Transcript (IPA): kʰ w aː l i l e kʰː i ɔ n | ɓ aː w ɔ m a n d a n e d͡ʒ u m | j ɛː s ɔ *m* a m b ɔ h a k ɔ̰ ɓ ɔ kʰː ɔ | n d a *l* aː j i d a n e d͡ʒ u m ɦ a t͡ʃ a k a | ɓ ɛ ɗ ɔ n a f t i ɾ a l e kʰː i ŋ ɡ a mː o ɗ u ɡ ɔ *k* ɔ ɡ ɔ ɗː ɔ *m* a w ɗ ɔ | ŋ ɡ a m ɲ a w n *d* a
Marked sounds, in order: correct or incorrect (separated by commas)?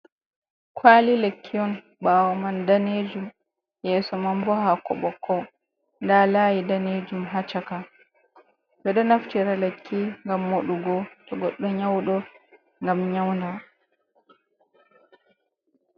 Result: correct, correct, incorrect, incorrect, correct